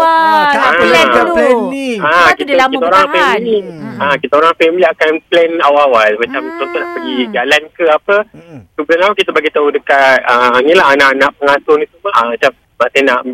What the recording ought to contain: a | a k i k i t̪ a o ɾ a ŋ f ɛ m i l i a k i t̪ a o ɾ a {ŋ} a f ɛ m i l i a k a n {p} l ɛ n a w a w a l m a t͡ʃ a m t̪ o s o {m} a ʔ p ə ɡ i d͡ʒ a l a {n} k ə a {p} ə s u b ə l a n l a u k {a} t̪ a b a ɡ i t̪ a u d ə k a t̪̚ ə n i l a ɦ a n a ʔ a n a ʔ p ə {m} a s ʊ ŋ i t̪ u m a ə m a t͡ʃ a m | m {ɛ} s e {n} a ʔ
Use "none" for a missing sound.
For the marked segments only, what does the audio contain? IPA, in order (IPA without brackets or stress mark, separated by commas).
ŋ, p, n, n, p, i, ŋ, a, n